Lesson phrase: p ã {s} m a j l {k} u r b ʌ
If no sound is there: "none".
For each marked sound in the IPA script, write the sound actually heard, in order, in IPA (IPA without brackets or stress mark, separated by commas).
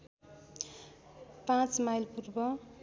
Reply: t͡s, p